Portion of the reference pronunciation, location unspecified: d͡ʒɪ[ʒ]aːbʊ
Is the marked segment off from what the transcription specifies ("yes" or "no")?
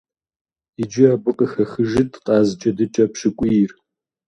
yes